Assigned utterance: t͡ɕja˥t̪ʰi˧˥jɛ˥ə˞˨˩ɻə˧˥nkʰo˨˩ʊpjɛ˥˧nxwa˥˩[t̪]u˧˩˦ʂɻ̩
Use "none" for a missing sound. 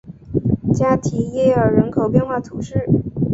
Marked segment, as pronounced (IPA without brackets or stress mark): t̪ʰ